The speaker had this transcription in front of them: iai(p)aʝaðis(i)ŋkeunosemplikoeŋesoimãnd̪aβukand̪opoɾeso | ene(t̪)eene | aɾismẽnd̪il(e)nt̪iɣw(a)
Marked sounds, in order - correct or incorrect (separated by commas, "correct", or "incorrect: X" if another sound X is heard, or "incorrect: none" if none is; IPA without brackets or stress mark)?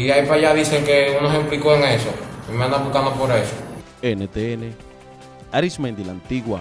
correct, incorrect: e, correct, incorrect: a, correct